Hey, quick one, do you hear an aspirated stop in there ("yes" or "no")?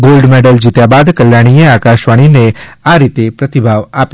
no